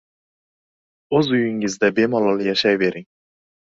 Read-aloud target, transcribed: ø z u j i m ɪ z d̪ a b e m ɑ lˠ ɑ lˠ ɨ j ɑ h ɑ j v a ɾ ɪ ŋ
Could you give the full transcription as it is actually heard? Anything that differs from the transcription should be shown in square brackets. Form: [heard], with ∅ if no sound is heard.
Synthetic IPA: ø z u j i [ŋ] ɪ z d̪ [ɛ] b e m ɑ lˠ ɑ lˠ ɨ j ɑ [ʃ] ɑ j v [e] ɾ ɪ ŋ